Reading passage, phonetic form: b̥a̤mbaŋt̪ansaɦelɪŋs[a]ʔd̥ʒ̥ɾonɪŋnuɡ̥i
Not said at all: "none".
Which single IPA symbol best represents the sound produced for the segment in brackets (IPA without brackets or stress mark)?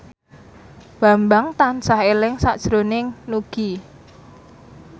a